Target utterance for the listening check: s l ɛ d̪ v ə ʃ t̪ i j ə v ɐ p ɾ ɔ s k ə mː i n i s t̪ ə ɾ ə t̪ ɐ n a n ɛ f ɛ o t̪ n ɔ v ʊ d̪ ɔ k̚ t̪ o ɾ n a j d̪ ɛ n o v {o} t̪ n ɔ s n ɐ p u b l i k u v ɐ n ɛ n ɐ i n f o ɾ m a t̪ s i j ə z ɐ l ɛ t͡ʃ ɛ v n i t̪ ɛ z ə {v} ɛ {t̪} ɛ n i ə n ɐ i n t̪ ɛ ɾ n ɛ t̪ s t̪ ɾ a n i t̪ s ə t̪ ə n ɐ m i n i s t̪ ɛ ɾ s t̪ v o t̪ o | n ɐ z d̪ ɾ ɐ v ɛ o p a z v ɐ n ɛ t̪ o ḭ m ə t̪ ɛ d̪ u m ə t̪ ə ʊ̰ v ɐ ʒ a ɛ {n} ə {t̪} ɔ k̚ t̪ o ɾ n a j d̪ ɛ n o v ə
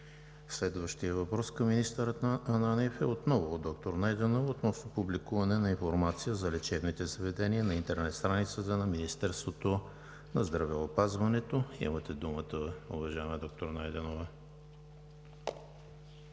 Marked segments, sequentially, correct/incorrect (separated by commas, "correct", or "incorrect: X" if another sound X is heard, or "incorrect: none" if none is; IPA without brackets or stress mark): correct, correct, incorrect: d̪, incorrect: m, incorrect: d̪